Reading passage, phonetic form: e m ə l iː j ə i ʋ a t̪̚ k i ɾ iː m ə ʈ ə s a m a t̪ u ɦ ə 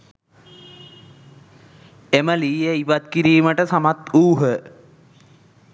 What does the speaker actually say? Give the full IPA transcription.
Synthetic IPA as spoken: e m ə l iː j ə i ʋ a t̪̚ k i ɾ iː m ə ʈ ə s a m a t̪ uː ɦ ə